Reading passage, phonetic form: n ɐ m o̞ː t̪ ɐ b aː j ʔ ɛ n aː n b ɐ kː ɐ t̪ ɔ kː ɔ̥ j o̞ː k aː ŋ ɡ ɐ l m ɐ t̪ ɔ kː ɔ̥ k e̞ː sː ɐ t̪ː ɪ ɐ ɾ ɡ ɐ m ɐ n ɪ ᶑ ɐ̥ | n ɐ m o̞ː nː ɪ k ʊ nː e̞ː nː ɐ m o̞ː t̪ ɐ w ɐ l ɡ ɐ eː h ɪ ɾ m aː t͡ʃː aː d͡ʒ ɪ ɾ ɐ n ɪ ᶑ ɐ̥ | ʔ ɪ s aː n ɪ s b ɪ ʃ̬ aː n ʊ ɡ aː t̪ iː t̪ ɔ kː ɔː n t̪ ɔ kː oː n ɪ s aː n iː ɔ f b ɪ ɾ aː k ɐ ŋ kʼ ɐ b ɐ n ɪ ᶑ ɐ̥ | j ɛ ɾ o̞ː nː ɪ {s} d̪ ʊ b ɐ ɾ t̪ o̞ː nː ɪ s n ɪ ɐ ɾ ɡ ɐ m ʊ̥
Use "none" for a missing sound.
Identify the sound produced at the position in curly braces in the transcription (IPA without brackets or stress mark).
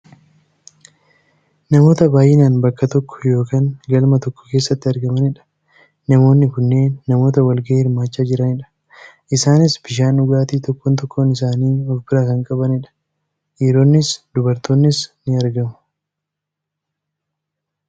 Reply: s